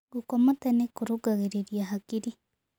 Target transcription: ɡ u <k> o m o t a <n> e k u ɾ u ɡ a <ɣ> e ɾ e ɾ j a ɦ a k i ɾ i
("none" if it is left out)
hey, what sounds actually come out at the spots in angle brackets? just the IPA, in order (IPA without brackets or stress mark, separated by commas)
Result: k, n, ɣ